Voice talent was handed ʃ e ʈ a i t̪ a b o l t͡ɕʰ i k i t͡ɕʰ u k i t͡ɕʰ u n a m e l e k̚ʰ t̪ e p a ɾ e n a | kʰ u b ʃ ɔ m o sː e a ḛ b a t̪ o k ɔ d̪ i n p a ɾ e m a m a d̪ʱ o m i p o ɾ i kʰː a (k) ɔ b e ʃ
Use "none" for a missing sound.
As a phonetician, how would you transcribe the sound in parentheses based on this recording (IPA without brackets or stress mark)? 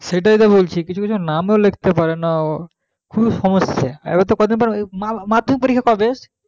k